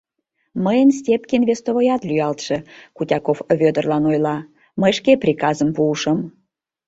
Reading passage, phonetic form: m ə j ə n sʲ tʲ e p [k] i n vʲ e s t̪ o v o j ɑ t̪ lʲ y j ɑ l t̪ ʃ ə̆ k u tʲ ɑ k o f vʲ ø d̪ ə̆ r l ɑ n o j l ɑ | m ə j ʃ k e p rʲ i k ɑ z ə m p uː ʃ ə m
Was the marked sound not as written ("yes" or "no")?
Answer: no